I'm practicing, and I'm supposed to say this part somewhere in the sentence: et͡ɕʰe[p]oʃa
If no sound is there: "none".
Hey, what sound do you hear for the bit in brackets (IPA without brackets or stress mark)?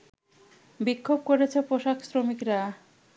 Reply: p